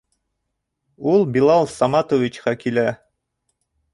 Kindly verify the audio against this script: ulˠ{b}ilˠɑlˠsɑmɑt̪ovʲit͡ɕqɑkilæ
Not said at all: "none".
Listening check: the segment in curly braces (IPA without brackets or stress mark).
b